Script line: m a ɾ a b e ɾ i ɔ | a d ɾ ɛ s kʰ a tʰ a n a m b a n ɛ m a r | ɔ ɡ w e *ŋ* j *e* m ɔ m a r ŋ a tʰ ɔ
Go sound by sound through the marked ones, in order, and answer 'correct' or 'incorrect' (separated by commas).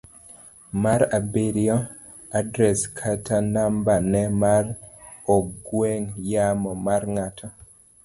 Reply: correct, incorrect